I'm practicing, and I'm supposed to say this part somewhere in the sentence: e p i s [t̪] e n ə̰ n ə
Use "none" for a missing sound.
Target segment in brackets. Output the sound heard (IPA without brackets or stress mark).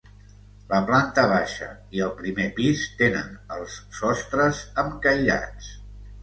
t̪